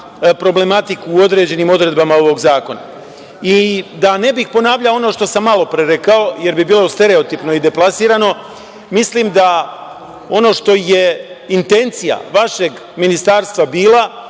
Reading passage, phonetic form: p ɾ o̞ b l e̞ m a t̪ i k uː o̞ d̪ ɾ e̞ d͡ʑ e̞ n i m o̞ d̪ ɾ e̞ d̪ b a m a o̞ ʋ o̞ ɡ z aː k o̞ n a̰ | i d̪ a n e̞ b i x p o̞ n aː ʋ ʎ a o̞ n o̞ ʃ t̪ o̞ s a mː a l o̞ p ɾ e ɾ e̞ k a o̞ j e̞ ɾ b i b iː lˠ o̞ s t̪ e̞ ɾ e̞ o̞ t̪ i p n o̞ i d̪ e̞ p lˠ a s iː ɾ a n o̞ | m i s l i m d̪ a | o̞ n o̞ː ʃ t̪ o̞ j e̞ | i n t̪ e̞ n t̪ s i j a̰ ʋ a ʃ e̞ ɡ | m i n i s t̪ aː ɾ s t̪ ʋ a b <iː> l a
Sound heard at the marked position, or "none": iː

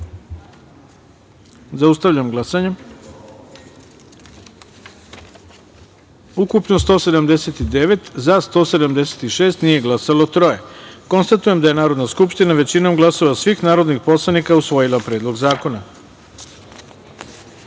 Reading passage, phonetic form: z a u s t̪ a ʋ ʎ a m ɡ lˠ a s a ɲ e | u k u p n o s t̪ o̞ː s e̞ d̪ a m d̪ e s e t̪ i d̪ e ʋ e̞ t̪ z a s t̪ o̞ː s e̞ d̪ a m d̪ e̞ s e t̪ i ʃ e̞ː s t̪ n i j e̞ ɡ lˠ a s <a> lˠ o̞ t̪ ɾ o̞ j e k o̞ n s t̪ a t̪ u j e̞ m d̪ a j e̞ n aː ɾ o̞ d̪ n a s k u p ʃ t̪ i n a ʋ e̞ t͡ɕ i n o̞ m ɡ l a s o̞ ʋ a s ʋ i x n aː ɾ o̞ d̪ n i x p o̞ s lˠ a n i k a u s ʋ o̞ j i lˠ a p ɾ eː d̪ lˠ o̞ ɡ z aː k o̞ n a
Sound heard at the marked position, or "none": a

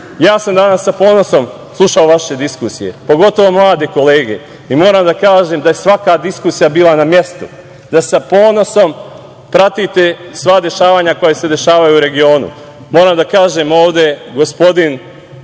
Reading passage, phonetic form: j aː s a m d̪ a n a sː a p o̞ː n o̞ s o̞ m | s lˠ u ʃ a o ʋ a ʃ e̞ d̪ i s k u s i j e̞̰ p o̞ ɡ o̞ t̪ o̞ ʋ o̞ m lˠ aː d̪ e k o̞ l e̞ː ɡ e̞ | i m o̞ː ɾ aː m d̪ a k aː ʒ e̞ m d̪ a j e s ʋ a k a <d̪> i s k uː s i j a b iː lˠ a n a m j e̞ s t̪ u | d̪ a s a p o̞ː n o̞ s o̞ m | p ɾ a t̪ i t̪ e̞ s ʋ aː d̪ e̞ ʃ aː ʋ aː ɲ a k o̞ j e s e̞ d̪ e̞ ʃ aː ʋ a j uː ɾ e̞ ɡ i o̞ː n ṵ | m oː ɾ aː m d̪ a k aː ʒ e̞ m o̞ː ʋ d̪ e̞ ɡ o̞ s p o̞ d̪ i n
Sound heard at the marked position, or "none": d̪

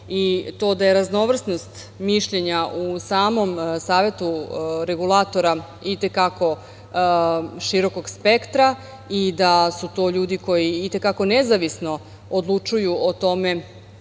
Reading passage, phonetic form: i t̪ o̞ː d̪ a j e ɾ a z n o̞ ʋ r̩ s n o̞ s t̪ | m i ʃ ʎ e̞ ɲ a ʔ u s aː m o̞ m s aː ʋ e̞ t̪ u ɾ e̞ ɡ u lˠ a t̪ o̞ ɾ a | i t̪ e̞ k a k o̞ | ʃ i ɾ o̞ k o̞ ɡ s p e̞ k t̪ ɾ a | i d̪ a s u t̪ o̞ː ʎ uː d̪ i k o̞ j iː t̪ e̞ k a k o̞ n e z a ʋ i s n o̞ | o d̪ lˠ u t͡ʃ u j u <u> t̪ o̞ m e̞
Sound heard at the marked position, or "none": o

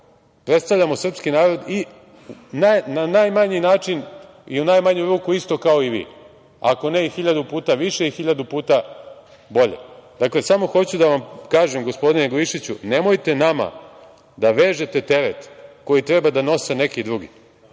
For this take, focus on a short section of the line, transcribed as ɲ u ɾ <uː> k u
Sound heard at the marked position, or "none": uː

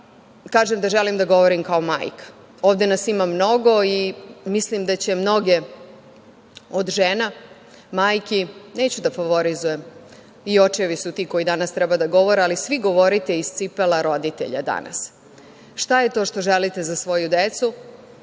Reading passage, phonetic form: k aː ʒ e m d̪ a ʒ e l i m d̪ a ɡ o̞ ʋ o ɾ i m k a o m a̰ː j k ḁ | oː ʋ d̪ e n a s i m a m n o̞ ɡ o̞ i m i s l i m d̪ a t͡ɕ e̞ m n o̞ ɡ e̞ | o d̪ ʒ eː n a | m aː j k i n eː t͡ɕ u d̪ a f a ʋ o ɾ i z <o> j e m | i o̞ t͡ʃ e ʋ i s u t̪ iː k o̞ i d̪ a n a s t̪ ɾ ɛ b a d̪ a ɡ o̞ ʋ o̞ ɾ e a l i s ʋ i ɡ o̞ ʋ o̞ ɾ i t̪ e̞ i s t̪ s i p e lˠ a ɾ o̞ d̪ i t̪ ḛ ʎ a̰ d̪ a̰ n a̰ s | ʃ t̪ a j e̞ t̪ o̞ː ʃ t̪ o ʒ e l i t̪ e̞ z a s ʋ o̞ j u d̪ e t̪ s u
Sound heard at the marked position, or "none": u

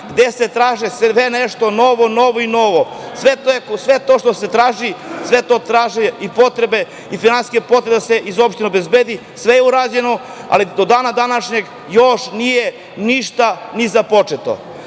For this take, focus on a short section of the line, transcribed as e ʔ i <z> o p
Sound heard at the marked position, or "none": z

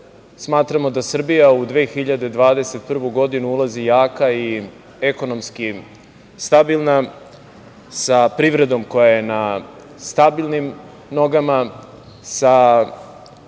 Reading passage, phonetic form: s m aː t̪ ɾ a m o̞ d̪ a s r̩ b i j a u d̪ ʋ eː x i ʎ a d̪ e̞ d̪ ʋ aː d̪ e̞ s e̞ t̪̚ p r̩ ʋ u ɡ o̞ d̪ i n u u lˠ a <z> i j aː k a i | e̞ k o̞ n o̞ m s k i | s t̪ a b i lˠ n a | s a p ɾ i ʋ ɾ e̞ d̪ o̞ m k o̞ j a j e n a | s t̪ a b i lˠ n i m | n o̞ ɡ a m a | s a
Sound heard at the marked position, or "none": z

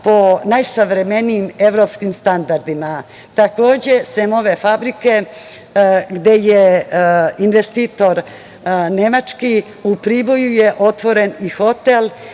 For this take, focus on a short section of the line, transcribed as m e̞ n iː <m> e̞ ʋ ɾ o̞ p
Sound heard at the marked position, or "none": m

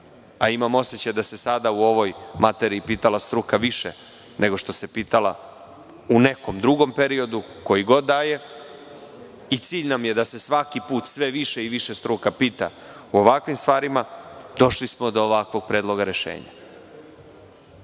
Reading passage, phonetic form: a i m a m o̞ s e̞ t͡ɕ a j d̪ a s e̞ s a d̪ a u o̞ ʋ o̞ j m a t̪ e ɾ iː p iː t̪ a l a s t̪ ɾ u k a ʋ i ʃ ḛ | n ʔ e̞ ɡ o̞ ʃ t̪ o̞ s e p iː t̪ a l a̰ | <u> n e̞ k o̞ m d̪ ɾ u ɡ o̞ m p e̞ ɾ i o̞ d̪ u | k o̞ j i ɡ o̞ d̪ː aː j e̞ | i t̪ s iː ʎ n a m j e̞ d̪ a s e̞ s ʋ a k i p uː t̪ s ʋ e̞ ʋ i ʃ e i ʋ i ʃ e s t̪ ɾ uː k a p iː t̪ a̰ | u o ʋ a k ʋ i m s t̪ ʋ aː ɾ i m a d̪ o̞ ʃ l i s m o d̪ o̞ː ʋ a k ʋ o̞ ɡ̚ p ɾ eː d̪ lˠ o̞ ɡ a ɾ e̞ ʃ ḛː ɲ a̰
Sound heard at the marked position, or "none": u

